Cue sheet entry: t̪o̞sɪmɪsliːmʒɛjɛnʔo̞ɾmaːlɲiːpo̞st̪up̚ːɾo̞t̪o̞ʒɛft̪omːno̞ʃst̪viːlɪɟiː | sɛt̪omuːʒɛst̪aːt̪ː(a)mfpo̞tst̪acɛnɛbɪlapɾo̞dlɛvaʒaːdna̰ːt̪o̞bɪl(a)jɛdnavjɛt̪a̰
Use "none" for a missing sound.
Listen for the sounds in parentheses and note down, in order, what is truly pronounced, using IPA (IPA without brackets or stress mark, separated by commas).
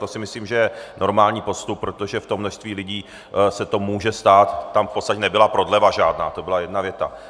a, a